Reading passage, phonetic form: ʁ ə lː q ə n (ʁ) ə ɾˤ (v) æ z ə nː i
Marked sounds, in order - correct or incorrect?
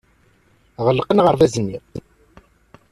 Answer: correct, incorrect: ð

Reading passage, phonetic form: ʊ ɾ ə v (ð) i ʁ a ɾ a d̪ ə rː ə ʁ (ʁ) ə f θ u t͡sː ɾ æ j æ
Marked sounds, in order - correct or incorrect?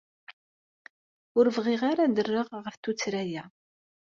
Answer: incorrect: ʁ, correct

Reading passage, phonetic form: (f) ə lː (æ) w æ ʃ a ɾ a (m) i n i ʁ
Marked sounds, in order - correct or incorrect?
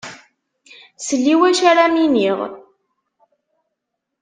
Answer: incorrect: s, incorrect: i, correct

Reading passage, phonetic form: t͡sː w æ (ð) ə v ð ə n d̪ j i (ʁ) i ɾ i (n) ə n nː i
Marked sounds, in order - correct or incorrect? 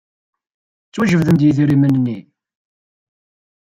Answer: incorrect: ʒ, incorrect: ð, incorrect: m

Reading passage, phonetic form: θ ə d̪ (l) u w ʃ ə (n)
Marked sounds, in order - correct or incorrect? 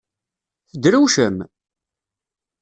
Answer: incorrect: ɾ, incorrect: m

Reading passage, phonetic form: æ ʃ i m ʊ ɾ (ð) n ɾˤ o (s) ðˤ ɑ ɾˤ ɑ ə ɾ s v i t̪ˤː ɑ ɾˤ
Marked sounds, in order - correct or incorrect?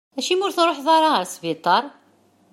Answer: incorrect: θ, incorrect: ħ

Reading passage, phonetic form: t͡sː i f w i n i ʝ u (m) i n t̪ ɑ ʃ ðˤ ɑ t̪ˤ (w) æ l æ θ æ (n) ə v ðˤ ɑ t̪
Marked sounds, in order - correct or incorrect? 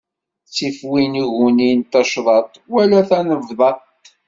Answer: incorrect: n, correct, correct

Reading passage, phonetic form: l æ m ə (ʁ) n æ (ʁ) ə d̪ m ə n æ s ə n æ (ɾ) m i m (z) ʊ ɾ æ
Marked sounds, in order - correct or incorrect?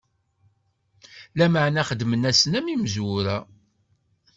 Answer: incorrect: ʕ, incorrect: χ, incorrect: none, correct

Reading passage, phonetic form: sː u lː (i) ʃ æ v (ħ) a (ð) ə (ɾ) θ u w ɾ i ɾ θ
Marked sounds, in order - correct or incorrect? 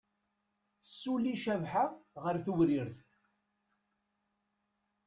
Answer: correct, correct, incorrect: ʁ, correct

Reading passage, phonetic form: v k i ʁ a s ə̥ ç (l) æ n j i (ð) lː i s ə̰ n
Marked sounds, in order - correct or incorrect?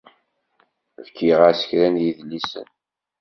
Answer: incorrect: ɾ, correct

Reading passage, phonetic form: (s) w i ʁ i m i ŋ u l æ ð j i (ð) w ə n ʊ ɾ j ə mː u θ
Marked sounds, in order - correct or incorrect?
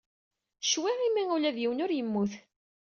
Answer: incorrect: ʃ, incorrect: none

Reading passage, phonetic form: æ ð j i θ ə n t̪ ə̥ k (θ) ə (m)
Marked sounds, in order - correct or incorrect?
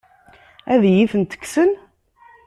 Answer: incorrect: s, incorrect: n

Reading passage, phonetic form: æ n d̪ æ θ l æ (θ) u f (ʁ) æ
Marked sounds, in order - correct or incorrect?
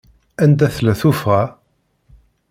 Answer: correct, correct

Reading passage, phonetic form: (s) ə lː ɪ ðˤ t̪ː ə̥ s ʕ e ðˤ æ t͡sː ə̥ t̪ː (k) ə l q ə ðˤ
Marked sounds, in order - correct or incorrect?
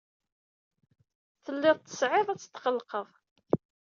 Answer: incorrect: θ, incorrect: q

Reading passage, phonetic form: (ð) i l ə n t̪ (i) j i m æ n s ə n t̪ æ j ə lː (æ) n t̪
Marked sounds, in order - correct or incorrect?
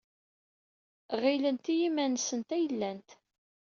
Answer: incorrect: ʁ, correct, correct

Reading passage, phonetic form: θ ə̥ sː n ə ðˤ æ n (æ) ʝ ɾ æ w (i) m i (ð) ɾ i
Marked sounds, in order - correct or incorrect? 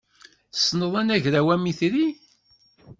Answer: correct, incorrect: æ, incorrect: θ

